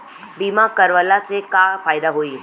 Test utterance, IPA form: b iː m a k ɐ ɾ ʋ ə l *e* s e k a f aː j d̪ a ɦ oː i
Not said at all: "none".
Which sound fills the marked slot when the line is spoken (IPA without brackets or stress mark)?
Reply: a